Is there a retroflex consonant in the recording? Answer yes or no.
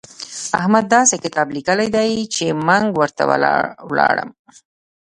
yes